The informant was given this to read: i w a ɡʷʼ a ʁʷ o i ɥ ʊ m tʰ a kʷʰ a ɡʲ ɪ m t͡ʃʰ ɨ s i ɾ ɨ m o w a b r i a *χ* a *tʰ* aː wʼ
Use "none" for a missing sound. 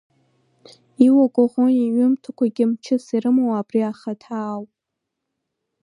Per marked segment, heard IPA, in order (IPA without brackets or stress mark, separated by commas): χ, tʰ